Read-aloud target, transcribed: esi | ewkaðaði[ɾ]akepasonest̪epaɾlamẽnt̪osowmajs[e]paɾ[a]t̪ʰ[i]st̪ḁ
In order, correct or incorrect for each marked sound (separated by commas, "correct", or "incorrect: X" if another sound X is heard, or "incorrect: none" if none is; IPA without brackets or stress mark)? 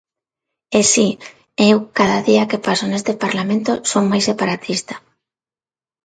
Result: incorrect: none, correct, correct, correct